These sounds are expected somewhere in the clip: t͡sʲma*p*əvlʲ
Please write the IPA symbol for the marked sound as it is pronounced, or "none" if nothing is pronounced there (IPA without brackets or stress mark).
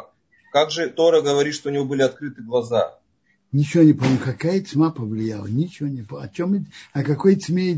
p